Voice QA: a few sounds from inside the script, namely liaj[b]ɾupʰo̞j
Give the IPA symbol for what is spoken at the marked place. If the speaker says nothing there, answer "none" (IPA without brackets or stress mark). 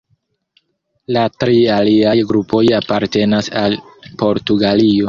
ɡ